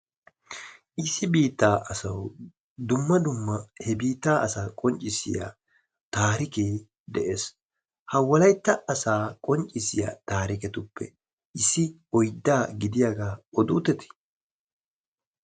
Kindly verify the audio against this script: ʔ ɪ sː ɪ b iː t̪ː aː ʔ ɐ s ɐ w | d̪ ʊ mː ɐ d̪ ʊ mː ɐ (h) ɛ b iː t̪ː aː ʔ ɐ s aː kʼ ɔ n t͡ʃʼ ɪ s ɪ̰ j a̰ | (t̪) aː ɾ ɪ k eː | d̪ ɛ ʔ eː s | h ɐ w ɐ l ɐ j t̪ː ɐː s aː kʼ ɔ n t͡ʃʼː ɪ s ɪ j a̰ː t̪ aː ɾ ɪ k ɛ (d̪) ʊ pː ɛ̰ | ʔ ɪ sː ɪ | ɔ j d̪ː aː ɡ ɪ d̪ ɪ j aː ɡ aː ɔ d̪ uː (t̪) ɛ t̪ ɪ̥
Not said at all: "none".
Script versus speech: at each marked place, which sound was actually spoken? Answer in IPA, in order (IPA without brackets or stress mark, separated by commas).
h, t̪, t̪, t̪